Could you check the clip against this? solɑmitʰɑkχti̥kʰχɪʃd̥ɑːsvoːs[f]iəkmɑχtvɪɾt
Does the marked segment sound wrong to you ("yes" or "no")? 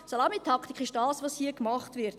yes